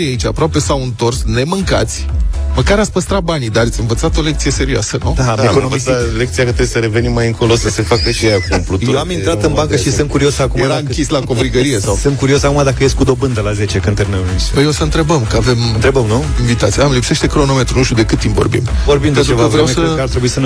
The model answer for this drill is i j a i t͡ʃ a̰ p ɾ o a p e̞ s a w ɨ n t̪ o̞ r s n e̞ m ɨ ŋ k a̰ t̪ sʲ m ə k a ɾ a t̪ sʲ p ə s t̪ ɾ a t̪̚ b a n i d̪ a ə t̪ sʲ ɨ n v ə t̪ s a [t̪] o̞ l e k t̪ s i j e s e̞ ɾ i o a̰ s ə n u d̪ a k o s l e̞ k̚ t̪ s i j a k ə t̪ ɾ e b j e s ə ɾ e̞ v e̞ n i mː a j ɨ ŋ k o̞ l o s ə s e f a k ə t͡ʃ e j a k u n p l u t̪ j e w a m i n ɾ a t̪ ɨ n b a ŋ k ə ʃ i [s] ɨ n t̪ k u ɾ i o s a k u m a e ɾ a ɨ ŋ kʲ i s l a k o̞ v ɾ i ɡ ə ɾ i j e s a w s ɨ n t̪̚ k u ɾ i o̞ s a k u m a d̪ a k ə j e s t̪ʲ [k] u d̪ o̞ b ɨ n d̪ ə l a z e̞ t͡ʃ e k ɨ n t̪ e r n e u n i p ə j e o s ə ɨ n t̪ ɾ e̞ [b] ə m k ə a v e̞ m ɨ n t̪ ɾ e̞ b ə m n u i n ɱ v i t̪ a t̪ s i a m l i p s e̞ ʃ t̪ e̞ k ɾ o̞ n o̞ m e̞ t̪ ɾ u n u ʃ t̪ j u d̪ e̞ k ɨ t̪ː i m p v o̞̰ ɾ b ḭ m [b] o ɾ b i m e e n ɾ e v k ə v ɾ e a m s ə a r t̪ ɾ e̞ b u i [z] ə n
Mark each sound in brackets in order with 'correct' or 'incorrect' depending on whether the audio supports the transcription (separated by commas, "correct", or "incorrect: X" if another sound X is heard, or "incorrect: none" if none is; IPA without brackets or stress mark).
correct, correct, correct, correct, incorrect: v, incorrect: s